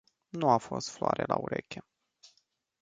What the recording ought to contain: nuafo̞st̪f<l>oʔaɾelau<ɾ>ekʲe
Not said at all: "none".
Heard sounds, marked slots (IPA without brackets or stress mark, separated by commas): l, ɾ